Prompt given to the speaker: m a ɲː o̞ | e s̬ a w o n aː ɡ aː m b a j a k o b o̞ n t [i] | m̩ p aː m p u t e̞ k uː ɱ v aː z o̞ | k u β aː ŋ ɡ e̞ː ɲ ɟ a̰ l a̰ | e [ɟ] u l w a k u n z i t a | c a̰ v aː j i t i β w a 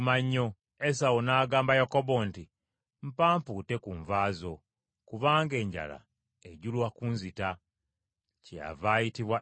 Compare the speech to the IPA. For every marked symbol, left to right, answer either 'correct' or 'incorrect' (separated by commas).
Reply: correct, correct